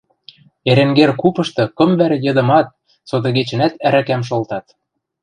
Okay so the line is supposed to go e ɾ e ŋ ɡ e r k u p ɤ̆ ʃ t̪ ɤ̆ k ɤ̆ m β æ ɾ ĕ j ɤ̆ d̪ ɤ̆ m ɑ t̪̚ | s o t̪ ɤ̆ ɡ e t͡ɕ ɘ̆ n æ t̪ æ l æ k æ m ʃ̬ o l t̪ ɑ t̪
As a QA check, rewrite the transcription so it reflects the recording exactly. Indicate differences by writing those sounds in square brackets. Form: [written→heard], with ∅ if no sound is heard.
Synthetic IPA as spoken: e ɾ e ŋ ɡ e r k u p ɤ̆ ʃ t̪ ɤ̆ k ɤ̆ m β æ ɾ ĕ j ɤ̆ d̪ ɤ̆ m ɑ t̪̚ | s o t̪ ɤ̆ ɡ e t͡ɕ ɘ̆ n æ t̪ æ [l→ɾ] æ k æ m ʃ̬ o l t̪ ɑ t̪